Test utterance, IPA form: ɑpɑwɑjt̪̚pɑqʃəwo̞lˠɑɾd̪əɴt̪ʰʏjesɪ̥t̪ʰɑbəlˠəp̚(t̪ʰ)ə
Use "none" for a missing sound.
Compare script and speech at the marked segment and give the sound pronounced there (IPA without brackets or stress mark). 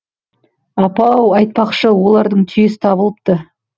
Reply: t̪